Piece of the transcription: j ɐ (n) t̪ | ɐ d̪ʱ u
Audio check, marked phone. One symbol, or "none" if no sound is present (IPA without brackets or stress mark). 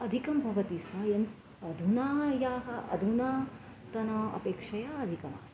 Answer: n